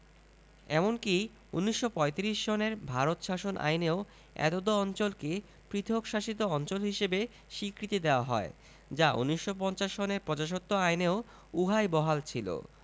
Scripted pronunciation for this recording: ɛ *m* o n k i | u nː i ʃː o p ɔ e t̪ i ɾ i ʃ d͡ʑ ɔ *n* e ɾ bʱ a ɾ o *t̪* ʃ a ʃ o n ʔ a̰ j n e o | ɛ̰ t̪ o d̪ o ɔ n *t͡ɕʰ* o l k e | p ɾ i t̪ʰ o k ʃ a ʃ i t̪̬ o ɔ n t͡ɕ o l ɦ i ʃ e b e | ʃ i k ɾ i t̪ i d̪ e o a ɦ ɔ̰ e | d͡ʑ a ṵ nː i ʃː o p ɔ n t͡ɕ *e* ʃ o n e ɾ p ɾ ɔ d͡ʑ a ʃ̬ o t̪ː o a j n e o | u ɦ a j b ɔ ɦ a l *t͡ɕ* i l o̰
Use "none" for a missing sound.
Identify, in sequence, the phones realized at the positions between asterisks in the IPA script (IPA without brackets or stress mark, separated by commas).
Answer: m, n, t̪, t͡ɕ, a, t͡ɕʰ